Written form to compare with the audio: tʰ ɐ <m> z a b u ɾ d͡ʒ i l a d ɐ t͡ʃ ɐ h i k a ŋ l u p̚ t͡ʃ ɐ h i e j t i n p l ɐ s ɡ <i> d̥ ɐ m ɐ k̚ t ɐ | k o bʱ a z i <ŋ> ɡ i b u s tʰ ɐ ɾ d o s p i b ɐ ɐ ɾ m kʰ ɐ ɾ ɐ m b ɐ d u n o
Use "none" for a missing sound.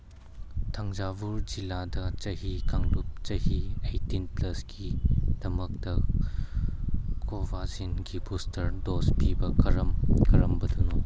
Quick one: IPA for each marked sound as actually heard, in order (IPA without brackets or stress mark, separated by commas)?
ŋ, i, n